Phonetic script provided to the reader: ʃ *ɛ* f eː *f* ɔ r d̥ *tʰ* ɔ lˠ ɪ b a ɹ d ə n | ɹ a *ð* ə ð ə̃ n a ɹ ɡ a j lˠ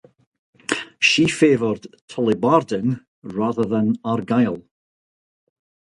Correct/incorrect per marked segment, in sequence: incorrect: i, incorrect: v, correct, correct

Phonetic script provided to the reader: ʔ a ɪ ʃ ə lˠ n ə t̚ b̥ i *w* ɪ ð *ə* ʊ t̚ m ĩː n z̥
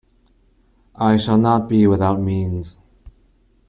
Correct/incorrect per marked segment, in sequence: correct, incorrect: a

